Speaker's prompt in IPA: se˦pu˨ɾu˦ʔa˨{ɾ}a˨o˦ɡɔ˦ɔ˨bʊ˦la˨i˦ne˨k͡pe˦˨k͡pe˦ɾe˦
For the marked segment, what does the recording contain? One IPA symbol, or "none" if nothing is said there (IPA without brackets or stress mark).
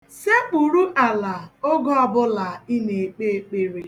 l